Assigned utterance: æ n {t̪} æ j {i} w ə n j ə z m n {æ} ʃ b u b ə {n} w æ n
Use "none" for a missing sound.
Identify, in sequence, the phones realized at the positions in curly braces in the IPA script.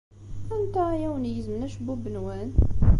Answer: t̪, æ, æ, n

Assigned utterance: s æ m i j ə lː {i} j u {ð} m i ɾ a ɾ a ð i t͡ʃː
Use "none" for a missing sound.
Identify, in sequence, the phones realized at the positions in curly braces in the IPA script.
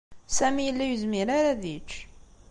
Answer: æ, z

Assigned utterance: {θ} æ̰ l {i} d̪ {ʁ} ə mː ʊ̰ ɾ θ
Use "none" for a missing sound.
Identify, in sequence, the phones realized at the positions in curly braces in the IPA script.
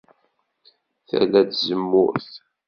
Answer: θ, æ, z

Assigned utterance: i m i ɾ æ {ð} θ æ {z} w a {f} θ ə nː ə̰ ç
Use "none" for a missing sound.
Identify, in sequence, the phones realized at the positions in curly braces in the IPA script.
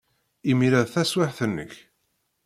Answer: ð, s, ħ

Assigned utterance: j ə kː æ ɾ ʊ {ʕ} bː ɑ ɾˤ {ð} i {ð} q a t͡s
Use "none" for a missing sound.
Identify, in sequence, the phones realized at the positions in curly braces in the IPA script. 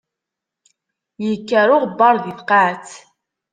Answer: ʁ, ð, θ

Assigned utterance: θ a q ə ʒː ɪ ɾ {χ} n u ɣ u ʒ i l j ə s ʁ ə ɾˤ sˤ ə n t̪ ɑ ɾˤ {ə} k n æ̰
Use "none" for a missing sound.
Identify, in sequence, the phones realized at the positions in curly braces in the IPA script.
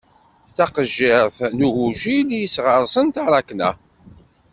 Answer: θ, ɑ

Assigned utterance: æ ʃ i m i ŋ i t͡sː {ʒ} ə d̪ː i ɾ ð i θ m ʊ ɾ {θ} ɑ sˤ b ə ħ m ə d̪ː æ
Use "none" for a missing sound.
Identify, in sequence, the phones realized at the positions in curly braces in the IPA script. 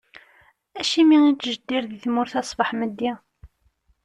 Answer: ʒ, θ

